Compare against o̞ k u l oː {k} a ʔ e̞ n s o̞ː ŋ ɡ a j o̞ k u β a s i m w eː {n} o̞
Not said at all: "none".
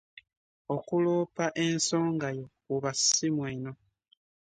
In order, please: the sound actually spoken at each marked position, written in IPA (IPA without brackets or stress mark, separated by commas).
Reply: p, n